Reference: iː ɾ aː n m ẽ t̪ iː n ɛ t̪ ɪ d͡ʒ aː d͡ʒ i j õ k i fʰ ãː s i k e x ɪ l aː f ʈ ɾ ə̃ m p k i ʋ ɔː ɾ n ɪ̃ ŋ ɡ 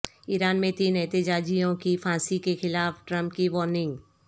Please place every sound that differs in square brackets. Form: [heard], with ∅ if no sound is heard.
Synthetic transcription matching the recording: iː ɾ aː n m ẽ t̪ iː n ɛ t̪ ɪ d͡ʒ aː d͡ʒ i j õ k i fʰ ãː s i k e x ɪ l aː f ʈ ɾ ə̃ m p k i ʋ ɔː ɾ n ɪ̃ ŋ ɡ